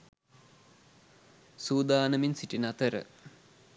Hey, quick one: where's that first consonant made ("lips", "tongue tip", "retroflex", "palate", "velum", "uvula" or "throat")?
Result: tongue tip